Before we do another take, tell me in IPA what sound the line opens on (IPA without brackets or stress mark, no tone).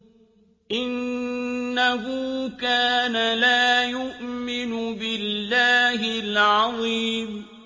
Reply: ʔ